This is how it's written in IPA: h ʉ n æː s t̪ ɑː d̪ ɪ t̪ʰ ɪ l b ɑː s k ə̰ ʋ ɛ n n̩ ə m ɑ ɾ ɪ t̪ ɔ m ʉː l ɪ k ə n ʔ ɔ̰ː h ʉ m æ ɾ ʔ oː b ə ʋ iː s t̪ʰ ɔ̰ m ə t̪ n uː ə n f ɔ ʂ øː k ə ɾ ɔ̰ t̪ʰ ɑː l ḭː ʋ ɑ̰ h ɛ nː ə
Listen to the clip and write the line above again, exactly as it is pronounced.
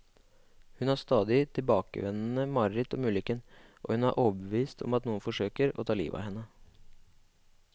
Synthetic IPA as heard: h ʉ n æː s t̪ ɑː d̪ ɪ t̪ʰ ɪ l b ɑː k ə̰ ʋ ɛ n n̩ ə m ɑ ɾ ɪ t̪ ɔ m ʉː l ɪ k ə n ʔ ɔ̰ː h ʉ n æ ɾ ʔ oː b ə ʋ iː s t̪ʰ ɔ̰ m ɑ t̪ n uː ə n f ɔ ʂ øː k ə ɾ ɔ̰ t̪ʰ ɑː l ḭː ʋ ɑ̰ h ɛ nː ə